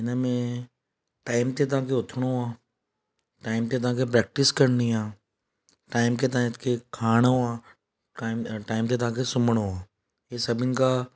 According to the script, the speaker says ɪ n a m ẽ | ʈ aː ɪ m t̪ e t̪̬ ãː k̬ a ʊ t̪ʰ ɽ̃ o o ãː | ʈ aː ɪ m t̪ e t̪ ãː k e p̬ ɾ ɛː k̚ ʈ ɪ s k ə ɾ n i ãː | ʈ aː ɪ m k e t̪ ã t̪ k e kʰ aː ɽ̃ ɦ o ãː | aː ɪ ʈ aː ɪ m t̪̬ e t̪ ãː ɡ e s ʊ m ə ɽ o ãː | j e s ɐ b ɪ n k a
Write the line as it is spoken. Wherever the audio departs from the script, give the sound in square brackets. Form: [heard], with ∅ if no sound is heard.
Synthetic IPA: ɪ n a m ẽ | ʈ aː ɪ m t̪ e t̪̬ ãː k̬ [e] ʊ t̪ʰ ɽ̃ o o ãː | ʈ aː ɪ m t̪ e t̪ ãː k e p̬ ɾ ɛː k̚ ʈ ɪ s k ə ɾ n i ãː | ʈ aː ɪ m k e t̪ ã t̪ k e kʰ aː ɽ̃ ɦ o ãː | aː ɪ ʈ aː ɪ m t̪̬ e t̪ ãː [k] e s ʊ m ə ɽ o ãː | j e s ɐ b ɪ n k a